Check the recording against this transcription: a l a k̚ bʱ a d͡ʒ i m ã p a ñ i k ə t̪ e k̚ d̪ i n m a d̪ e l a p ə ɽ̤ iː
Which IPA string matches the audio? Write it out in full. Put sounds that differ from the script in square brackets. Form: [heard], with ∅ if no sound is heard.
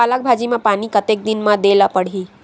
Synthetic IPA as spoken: a l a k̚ bʱ a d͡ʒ i m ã p a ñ i k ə t̪ e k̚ d̪ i n m a d̪ e l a p ə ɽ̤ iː